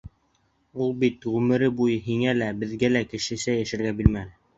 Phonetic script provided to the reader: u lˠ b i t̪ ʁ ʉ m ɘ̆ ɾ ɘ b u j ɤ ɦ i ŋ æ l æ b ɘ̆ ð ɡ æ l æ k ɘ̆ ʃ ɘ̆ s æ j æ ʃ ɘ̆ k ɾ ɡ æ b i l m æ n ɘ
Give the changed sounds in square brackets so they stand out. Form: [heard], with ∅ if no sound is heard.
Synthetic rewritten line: u lˠ b i t̪ ʁ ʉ m ɘ̆ ɾ ɘ b u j ɤ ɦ i ŋ æ l æ b ɘ̆ ð ɡ æ l æ k ɘ̆ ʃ ɘ̆ s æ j æ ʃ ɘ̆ [∅] ɾ ɡ æ b i l m æ n ɘ